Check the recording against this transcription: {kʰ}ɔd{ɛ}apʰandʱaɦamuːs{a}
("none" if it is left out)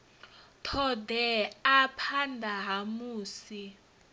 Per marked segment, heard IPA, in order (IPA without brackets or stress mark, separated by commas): tʰ, ɛ, i